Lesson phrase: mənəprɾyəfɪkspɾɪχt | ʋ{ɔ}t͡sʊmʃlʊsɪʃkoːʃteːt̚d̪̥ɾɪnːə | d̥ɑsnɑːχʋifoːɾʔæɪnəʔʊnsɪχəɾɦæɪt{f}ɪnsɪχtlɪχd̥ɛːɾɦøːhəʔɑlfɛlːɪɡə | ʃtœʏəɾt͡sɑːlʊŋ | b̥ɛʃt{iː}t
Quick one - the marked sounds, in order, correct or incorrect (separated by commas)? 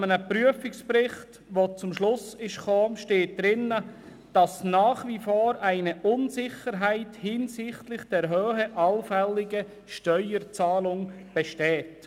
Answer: incorrect, incorrect, incorrect